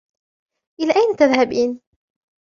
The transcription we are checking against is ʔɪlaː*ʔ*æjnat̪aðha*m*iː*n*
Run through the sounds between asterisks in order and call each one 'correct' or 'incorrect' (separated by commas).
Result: correct, incorrect, correct